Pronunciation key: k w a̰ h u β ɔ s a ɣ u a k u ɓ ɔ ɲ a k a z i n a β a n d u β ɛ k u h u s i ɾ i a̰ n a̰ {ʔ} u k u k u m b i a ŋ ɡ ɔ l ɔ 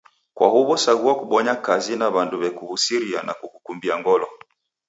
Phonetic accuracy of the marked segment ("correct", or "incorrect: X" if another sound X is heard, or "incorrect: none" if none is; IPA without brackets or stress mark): incorrect: k